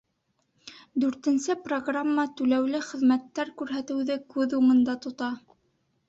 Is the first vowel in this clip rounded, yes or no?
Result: yes